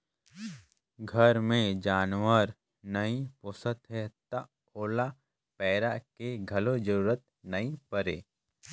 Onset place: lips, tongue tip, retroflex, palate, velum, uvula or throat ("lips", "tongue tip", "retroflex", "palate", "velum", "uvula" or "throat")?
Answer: velum